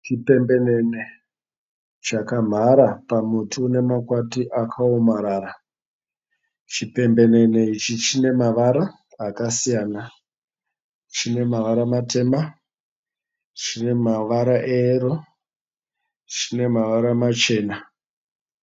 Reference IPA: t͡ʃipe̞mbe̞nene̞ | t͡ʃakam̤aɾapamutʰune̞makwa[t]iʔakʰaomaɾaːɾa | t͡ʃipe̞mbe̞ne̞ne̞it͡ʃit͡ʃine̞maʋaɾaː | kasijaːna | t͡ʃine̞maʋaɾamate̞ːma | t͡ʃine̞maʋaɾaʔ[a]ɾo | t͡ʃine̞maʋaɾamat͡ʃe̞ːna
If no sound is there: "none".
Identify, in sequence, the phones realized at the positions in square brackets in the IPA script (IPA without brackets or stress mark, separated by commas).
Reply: t, e